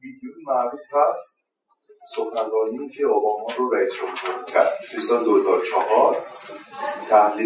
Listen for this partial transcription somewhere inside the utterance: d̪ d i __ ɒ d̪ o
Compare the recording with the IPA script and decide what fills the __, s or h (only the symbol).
s